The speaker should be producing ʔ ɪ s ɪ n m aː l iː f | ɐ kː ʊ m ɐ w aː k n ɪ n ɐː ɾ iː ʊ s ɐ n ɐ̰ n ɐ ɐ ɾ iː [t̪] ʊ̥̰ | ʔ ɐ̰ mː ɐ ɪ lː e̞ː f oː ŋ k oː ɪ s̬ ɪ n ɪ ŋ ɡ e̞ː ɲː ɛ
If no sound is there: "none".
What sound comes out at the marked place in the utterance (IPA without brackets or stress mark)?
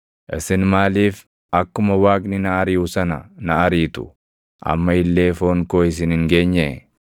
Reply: t̪